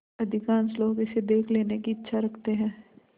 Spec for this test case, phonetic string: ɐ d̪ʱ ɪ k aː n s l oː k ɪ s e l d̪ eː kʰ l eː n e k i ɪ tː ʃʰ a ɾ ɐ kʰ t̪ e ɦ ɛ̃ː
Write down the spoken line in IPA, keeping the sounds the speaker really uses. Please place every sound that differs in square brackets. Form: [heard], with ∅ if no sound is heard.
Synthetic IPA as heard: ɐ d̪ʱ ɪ k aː n s l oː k ɪ s e [∅] d̪ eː kʰ l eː n e k i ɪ tː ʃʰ a ɾ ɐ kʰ t̪ e ɦ ɛ̃ː